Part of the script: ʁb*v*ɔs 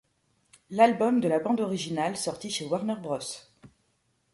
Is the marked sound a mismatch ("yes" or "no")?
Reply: yes